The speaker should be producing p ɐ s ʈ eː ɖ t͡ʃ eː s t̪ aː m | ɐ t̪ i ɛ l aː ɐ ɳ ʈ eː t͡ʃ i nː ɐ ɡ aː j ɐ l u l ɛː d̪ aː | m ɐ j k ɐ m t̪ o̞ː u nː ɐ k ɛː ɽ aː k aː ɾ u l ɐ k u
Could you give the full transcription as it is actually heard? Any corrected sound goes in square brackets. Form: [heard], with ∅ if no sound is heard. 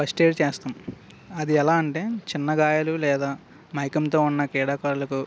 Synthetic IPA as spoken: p ɐ s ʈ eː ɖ t͡ʃ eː s t̪ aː m | ɐ [d̪] i ɛ l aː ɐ ɳ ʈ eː t͡ʃ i nː ɐ ɡ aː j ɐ l u l ɛː d̪ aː | m ɐ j k ɐ m t̪ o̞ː u nː ɐ k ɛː ɽ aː k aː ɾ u l ɐ k u